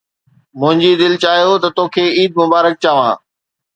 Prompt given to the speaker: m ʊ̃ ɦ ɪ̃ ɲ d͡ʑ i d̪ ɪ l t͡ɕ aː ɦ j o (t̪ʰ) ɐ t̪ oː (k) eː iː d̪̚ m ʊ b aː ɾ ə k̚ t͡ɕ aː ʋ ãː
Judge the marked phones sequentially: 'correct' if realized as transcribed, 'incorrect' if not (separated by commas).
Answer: incorrect, incorrect